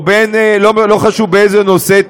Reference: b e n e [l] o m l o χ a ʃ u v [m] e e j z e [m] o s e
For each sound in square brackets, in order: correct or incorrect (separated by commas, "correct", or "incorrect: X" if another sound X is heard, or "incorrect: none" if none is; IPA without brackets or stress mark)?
correct, incorrect: b, incorrect: n